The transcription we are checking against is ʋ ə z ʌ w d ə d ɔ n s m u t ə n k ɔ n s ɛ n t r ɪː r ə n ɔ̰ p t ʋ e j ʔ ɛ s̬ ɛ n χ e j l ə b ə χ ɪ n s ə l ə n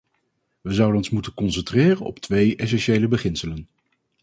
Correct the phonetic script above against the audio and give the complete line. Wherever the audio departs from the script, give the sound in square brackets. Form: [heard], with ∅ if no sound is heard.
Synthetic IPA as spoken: ʋ ə z ʌ w d ə [n] ɔ n s m u t ə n k ɔ n s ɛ n t r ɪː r ə n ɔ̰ p t ʋ e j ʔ ɛ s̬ ɛ n [ʃ] e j l ə b ə χ ɪ n s ə l ə n